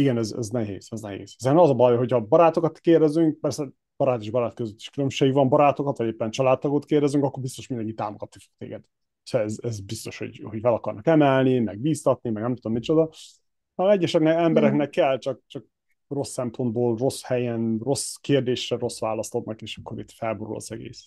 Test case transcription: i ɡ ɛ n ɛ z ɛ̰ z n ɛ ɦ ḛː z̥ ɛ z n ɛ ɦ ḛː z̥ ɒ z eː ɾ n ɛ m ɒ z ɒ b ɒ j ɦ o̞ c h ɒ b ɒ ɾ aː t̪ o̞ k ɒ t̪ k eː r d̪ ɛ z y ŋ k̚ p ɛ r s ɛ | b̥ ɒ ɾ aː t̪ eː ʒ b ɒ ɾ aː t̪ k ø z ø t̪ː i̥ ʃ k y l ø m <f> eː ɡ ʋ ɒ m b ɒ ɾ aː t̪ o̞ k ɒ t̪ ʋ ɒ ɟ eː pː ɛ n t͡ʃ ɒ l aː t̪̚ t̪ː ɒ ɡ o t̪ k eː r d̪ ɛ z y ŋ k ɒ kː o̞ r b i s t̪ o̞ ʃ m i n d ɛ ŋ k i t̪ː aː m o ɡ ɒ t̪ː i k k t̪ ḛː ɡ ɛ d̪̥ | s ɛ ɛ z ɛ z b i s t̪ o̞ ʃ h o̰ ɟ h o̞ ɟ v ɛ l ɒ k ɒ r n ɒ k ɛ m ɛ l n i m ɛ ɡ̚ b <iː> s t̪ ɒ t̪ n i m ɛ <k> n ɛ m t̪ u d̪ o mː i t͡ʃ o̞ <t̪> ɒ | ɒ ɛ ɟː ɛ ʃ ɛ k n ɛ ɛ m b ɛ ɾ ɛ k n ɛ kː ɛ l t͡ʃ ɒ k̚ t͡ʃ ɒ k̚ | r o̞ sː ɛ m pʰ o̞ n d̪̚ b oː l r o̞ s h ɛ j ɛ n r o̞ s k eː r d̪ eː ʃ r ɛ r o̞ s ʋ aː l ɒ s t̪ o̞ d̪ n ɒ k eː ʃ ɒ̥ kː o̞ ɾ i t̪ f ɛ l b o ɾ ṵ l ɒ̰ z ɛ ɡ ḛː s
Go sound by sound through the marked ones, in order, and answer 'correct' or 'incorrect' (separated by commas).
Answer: incorrect, correct, incorrect, incorrect